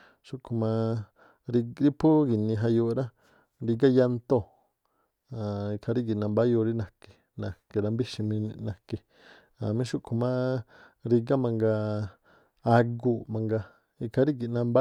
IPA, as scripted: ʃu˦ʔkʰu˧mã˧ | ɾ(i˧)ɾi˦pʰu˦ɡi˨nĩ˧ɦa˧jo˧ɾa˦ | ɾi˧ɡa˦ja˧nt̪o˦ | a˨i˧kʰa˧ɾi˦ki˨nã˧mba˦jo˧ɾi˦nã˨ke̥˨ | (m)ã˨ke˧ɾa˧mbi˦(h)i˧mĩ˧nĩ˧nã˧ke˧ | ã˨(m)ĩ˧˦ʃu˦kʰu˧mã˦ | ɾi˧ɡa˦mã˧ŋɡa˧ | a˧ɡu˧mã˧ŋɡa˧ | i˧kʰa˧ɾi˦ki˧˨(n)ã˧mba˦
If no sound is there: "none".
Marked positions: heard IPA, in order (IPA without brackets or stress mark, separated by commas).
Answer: i˧, n, ʃ, m, n